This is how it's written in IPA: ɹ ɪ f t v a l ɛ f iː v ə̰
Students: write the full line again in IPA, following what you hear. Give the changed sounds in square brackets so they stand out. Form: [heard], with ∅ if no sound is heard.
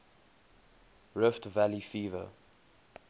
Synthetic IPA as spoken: ɹ ɪ f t v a l [i] f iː v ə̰